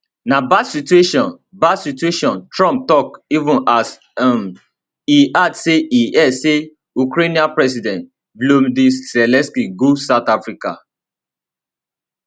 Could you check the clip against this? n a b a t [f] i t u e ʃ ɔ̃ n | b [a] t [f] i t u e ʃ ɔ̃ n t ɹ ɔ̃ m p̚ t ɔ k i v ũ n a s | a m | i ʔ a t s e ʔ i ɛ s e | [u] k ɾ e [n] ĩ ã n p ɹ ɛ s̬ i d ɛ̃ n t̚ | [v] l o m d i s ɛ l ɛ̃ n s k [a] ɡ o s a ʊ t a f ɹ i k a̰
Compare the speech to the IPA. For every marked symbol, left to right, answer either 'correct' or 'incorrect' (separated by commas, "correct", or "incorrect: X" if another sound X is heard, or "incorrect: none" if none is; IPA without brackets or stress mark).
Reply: incorrect: s, correct, incorrect: s, correct, correct, incorrect: b, incorrect: i